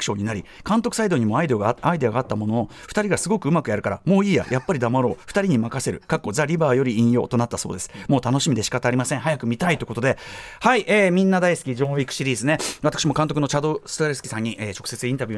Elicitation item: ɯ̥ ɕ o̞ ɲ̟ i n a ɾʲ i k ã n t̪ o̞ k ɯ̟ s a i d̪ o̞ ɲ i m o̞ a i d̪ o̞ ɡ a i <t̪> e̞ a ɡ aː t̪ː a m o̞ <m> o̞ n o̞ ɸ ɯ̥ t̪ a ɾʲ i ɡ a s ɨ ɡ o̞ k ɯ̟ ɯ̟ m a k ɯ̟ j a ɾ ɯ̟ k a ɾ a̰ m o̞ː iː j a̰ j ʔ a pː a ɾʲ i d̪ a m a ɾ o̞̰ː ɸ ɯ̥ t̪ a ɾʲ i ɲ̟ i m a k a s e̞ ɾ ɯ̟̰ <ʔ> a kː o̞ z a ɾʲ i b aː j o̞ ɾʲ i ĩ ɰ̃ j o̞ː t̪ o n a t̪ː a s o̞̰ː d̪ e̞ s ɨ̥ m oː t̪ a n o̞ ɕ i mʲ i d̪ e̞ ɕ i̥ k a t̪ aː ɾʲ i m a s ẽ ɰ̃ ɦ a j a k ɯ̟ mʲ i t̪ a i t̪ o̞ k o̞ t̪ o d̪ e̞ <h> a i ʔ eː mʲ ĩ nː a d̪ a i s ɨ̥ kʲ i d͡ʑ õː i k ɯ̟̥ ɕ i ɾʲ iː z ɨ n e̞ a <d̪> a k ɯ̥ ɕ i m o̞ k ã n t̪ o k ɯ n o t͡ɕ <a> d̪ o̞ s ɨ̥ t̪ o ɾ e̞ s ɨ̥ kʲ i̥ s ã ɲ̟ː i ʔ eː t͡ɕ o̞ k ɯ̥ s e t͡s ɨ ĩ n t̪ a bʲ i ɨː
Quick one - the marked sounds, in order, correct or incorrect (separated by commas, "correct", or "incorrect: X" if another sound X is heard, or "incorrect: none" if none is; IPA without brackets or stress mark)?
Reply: incorrect: d̪, incorrect: n, incorrect: k, correct, incorrect: t̪, correct